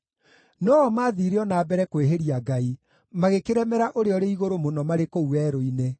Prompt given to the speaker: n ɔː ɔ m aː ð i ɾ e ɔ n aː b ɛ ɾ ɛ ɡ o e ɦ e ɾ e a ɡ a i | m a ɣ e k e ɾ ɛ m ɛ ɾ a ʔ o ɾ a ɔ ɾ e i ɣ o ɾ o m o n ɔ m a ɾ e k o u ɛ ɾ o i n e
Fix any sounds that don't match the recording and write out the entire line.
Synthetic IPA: n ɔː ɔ m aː ð i ɾ e ɔ n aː b ɛ ɾ ɛ k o e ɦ e ɾ i a ɡ a i | m a ɣ e k e ɾ ɛ m ɛ ɾ a ʔ o ɾ e ɔ ɾ e i ɣ o ɾ o m o n ɔ m a ɾ e k o u ɛ ɾ o i n e

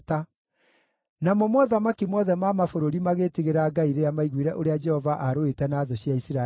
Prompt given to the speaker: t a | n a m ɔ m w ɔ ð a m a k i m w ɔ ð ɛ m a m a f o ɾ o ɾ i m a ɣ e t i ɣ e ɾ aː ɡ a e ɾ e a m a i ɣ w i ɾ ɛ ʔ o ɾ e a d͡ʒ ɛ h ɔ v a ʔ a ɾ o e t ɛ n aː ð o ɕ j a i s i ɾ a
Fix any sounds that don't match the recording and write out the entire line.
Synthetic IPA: t a | n a m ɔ m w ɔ ð a m a k i m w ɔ ð ɛ m a m a f o ɾ o ɾ i m a ɣ e t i ɣ e ɾ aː ɡ a i ɾ e a m a i ɣ w i ɾ ɛ ʔ o ɾ e a d͡ʒ ɛ h ɔ v a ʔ a ɾ o e t ɛ n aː ð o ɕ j a i s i ɾ a

